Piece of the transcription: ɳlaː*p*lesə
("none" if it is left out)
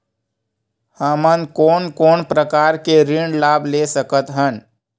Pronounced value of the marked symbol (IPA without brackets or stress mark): b